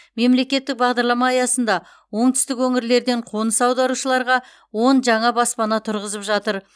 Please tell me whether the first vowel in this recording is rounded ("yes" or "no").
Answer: no